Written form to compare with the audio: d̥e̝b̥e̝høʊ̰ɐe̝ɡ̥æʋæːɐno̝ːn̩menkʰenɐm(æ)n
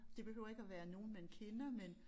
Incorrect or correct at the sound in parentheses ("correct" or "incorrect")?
incorrect